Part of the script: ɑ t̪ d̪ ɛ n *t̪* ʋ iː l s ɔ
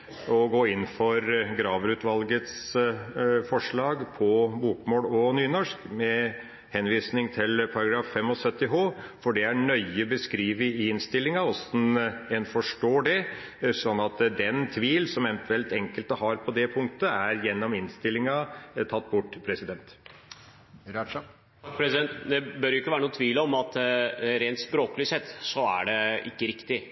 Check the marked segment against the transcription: incorrect: t̪ʰ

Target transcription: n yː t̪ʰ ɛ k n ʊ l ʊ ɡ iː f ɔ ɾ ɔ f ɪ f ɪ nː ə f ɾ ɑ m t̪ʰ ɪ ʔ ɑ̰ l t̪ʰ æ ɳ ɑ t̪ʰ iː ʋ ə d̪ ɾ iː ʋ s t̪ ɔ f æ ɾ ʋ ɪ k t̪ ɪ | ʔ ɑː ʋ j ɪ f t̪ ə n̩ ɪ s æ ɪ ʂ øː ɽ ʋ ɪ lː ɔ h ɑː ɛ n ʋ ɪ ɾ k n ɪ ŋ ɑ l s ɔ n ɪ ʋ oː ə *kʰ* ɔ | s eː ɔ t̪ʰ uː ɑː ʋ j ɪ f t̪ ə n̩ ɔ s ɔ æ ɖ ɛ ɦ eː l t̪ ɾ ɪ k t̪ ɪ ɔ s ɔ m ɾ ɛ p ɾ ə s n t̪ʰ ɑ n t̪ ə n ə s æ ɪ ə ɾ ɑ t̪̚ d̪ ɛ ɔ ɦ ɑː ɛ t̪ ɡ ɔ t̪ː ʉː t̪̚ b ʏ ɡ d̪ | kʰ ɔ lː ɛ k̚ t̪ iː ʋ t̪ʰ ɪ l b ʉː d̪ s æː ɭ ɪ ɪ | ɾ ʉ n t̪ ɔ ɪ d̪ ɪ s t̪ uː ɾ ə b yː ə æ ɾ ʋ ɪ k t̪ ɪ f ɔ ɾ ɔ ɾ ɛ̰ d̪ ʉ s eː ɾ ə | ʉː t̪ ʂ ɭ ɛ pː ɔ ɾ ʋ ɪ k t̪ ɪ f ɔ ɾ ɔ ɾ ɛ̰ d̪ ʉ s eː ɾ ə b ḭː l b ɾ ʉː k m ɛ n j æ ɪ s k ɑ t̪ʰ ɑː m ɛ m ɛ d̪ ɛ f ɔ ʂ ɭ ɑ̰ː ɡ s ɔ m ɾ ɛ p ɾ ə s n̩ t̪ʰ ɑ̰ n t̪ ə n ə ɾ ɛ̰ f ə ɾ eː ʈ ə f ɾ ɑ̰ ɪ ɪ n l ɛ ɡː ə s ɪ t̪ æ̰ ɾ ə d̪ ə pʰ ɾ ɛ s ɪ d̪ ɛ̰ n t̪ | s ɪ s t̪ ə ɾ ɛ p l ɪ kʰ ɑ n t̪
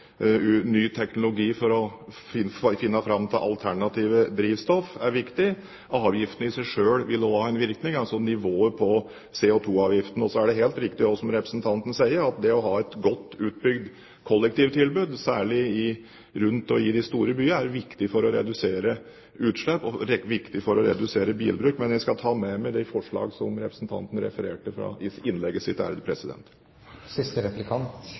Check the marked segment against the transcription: incorrect: pʰ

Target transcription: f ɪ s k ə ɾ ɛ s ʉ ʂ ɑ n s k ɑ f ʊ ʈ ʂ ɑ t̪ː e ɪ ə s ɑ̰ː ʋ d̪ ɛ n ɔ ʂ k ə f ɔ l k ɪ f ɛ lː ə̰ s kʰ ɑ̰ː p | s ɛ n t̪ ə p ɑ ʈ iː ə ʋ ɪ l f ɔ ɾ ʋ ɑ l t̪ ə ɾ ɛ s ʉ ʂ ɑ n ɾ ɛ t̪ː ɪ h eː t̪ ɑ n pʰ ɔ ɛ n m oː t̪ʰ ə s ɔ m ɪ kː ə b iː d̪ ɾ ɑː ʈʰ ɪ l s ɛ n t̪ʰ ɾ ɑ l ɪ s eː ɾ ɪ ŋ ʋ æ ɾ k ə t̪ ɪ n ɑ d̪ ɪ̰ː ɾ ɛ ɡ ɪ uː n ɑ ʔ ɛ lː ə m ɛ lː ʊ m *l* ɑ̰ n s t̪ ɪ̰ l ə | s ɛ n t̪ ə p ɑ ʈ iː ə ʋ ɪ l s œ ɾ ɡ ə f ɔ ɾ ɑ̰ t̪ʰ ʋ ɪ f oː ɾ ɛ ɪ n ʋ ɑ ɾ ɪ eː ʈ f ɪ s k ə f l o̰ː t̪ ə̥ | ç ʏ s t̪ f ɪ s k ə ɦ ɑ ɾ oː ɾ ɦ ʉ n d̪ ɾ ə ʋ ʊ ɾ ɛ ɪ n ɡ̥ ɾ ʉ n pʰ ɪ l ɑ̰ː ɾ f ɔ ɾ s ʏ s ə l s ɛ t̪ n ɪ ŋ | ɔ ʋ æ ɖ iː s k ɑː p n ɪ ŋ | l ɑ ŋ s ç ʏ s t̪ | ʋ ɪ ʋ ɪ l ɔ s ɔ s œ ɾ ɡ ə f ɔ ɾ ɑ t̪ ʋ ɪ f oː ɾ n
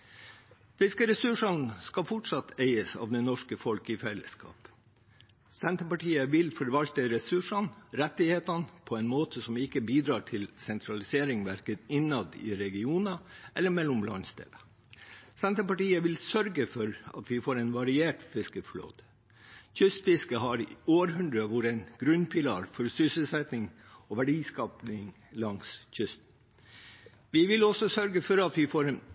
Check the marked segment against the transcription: correct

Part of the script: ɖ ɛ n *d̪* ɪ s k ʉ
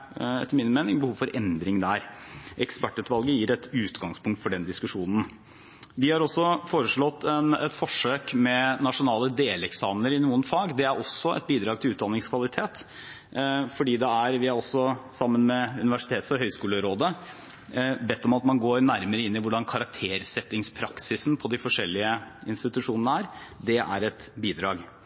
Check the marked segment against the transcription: correct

